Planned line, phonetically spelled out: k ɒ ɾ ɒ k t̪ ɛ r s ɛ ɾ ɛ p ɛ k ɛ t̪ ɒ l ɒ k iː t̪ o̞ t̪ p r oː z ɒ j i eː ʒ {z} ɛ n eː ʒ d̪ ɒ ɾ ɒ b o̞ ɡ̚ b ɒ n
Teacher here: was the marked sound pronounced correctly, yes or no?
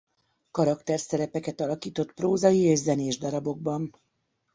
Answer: yes